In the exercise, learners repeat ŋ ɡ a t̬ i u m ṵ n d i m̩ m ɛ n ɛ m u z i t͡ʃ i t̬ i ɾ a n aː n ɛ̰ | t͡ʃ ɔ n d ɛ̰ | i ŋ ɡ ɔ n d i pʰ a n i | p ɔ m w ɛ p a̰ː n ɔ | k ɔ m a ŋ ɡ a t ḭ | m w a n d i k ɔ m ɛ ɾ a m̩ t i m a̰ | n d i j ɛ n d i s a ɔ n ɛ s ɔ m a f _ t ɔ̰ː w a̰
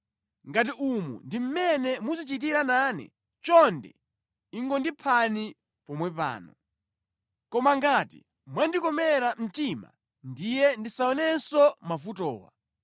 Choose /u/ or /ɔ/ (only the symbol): u